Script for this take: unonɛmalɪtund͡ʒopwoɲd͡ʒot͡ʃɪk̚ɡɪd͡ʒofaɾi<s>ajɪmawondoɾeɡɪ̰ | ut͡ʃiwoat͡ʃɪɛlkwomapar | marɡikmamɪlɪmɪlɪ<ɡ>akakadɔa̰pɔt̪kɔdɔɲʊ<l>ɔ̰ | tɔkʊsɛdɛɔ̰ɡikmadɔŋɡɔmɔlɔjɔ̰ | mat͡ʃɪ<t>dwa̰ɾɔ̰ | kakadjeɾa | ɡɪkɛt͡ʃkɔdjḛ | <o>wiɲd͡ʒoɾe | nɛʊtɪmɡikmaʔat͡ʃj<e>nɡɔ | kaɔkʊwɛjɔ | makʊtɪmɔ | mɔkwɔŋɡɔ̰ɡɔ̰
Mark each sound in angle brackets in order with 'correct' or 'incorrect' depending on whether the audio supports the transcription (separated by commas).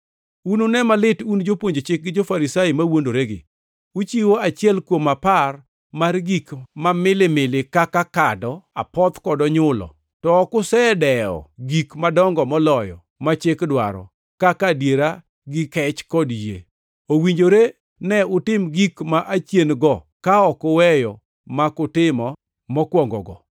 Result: correct, incorrect, correct, incorrect, correct, correct